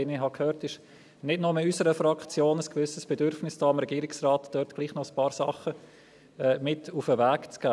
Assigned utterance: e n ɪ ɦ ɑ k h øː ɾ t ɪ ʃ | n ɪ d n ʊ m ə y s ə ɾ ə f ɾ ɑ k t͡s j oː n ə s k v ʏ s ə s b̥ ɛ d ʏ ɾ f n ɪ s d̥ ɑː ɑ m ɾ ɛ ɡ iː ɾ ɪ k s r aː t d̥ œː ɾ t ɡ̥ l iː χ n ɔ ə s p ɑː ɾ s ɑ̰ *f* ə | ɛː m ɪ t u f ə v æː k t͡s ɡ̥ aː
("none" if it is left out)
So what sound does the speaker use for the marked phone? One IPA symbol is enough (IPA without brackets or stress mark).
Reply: χ